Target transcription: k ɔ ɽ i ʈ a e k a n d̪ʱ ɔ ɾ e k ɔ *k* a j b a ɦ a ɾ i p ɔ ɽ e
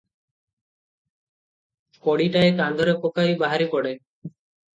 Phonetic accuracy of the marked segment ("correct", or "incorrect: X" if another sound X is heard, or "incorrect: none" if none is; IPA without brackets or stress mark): correct